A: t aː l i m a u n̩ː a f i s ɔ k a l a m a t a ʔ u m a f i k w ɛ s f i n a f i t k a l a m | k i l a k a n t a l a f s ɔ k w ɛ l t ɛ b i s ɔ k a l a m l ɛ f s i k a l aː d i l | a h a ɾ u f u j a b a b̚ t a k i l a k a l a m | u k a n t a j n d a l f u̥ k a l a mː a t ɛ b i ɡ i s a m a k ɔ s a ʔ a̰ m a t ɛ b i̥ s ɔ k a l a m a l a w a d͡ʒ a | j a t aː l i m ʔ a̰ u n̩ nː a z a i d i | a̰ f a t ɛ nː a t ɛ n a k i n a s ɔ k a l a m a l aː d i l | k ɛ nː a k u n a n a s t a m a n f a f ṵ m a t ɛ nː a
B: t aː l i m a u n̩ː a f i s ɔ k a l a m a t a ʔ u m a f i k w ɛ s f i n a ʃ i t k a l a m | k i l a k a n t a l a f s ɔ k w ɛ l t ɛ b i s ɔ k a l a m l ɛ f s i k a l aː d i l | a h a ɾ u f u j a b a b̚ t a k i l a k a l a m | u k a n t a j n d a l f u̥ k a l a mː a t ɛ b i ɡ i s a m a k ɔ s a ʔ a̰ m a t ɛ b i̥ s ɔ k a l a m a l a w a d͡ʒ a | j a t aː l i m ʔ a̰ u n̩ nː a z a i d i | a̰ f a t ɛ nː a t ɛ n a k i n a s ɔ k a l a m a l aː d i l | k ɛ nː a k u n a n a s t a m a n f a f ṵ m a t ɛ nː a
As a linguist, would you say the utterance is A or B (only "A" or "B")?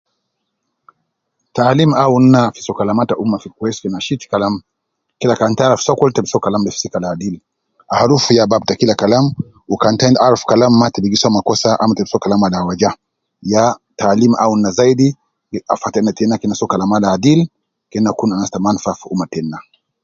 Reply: B